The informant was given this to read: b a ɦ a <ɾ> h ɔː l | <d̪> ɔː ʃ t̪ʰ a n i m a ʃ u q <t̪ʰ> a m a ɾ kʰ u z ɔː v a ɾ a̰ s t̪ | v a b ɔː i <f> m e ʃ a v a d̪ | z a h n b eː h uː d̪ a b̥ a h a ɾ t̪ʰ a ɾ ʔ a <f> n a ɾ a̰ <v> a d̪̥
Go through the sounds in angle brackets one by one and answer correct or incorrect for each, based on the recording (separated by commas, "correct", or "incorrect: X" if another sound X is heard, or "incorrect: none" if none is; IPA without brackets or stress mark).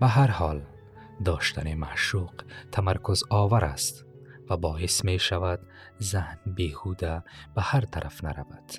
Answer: correct, correct, correct, incorrect: s, correct, correct